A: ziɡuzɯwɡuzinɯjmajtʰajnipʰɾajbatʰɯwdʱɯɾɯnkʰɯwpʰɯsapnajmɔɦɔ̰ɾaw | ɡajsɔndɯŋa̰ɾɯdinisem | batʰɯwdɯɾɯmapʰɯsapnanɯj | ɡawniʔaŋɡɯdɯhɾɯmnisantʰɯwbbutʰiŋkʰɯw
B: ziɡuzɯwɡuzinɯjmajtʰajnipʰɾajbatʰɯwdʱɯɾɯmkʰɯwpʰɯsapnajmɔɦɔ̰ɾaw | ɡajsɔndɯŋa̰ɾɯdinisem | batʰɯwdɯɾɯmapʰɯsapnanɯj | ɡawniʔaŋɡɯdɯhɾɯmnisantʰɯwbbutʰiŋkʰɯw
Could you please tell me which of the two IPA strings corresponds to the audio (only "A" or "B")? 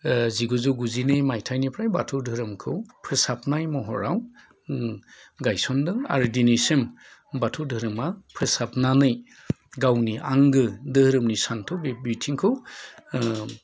B